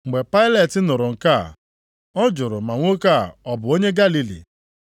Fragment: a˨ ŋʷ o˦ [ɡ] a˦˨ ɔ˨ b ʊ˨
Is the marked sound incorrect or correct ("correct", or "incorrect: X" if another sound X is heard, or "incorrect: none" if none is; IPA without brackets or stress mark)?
incorrect: k